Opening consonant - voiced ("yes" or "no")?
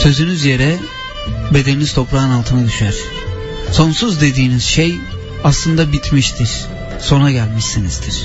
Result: no